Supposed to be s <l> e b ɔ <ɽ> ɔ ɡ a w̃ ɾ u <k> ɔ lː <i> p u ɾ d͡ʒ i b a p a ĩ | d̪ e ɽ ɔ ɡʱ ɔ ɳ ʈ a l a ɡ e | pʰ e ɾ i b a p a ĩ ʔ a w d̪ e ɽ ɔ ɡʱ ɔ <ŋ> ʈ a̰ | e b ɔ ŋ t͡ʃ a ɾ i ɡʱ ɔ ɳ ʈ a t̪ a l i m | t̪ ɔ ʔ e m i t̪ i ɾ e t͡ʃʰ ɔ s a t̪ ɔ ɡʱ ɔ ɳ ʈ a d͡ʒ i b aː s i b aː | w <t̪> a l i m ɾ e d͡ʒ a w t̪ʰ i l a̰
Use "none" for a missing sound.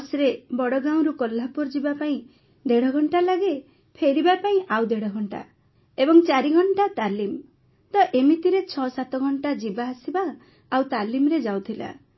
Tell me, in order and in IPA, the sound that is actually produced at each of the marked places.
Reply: ɾ, ɽ, k, a, ɳ, t̪

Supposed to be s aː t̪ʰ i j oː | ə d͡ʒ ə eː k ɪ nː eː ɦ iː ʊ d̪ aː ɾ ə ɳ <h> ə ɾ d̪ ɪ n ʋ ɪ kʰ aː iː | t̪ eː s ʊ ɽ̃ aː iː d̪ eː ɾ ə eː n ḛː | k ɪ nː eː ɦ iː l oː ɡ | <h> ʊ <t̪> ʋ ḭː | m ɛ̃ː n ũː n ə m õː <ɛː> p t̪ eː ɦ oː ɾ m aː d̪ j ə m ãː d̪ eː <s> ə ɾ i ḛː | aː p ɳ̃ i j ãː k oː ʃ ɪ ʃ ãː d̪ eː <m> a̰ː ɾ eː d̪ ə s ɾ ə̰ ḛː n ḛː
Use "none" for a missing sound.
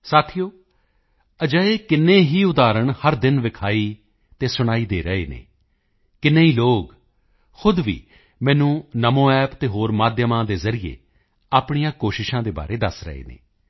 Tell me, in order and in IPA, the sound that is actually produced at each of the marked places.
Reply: h, x, d̪, ɛː, z, b

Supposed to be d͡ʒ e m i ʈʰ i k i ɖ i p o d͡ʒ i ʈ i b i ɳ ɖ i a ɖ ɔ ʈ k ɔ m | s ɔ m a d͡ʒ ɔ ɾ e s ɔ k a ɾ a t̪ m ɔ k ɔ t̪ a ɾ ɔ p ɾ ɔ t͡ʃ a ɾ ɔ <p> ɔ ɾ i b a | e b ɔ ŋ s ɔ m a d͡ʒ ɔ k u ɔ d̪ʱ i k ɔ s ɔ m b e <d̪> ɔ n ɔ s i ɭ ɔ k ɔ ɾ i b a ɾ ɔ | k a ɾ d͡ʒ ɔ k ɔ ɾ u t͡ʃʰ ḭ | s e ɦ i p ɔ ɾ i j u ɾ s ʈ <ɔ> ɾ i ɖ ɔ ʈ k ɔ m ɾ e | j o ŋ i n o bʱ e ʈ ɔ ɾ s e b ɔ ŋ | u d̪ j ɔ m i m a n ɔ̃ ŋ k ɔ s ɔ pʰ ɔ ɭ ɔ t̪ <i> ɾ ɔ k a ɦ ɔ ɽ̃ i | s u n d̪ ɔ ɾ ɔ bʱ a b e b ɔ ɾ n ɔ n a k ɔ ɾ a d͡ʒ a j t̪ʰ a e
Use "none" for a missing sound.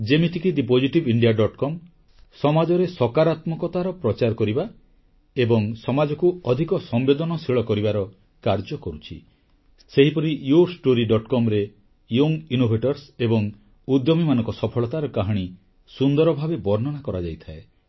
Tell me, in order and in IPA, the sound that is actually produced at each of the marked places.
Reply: k, d̪, o, a

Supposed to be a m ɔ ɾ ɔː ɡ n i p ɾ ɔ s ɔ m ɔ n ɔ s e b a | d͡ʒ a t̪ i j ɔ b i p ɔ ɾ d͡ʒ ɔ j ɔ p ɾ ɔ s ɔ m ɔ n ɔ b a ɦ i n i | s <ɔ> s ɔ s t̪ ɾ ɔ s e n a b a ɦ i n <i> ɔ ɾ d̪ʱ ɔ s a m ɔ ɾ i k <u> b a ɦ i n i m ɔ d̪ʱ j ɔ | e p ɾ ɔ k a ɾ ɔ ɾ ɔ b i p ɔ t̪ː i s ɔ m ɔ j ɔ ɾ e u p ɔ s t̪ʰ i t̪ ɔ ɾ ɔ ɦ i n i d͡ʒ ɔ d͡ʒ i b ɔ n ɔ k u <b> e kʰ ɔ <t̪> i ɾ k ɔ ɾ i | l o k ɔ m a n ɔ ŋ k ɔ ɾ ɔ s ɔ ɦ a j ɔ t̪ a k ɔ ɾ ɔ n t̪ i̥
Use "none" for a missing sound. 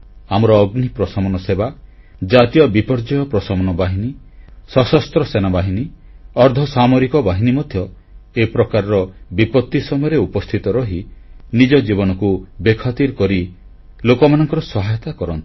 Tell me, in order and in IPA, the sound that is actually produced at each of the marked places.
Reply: ɔ, i, ɔ, b, t̪

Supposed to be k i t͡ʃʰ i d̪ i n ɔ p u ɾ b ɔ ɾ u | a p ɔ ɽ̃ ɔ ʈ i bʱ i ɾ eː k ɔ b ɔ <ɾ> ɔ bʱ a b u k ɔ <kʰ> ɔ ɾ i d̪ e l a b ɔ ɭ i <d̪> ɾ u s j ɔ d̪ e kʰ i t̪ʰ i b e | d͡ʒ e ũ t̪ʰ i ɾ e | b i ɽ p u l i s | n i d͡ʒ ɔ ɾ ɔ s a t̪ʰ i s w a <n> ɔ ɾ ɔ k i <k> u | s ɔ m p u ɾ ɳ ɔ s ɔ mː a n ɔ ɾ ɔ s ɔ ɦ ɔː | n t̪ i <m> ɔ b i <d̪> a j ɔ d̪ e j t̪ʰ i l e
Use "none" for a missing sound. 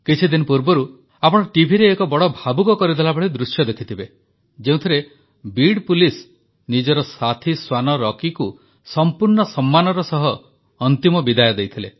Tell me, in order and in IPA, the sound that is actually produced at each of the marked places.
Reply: ɽ, k, d̪, n, k, m, d̪

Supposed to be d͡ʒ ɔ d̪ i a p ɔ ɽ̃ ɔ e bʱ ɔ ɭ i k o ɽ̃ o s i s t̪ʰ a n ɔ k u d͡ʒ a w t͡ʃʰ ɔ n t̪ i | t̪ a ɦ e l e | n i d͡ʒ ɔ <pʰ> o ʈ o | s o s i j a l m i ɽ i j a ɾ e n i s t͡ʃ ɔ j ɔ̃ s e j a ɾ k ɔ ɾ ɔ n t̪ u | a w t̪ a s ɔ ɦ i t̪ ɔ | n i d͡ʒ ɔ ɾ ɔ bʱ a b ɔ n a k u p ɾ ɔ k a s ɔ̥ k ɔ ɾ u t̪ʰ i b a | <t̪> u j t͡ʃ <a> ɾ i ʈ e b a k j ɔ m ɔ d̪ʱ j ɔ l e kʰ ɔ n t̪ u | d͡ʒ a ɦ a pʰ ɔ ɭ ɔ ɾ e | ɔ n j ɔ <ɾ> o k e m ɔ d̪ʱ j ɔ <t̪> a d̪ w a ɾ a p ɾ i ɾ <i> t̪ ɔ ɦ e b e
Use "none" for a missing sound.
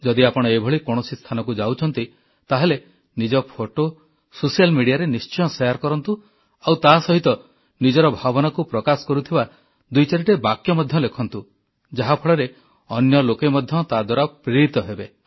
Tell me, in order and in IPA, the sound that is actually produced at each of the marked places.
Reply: pʰ, d̪, a, l, t̪, i

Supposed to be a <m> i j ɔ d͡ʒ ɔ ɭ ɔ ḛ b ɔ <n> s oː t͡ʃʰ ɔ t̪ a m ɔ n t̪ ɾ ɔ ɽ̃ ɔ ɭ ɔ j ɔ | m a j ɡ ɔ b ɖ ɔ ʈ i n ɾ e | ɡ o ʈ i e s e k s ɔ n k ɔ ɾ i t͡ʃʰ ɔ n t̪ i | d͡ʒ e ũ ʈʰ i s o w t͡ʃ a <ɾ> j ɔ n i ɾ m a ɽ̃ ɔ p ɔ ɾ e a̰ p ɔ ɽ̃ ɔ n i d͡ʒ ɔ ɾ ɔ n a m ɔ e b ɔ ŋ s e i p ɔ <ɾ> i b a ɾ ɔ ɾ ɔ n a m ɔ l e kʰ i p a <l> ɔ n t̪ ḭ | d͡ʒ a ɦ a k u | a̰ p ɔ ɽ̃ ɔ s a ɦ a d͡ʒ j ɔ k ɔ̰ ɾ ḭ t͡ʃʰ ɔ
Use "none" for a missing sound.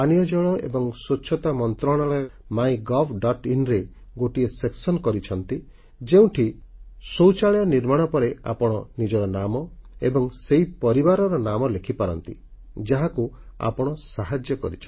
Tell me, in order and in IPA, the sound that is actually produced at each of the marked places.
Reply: n, ŋ, ɭ, ɾ, ɾ

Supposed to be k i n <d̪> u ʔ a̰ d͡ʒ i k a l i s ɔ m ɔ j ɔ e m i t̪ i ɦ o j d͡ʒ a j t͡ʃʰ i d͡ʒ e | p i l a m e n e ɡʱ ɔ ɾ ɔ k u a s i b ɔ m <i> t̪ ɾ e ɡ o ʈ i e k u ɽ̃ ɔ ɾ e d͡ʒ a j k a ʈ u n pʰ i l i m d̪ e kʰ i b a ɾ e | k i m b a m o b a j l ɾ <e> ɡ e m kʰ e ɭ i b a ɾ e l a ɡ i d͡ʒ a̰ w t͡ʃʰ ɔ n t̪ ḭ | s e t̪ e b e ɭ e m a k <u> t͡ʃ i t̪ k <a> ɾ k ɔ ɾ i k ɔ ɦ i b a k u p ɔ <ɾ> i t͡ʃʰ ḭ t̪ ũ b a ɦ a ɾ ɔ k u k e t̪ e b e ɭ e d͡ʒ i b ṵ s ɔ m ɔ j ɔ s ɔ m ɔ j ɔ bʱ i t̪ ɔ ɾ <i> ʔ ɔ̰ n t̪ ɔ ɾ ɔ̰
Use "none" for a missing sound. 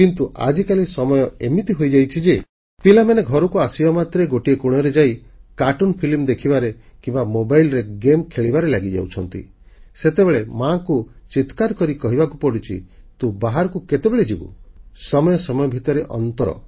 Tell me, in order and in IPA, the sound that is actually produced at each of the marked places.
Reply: t̪, a, e, u, a, ɽ, e

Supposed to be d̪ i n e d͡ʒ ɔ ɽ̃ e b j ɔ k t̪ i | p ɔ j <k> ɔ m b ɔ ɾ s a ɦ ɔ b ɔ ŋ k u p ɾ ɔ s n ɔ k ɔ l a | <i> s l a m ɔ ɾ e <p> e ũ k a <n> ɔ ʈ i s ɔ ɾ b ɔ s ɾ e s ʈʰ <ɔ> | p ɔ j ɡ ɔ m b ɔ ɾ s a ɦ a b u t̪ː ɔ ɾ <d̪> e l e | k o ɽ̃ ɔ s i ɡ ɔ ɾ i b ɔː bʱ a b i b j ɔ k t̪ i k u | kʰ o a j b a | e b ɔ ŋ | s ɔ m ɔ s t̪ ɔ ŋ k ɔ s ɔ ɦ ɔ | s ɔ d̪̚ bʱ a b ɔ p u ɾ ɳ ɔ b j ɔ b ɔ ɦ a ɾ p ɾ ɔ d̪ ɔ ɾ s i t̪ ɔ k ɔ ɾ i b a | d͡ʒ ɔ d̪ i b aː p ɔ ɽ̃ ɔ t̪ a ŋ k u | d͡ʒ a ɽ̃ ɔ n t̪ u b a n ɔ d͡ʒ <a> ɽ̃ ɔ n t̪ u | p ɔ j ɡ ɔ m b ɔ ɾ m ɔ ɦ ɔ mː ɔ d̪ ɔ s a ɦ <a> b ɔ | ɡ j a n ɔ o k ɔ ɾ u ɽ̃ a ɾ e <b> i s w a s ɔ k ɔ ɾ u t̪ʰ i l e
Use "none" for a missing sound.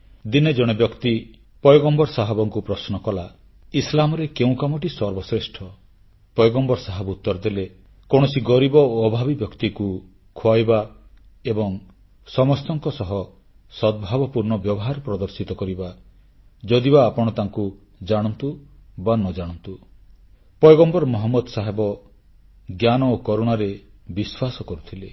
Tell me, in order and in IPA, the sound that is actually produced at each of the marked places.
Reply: ɡ, i, k, m, ɔ, d̪, a, e, b

